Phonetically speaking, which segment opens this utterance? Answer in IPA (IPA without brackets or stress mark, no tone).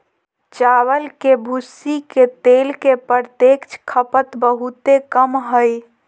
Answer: t͡ʃ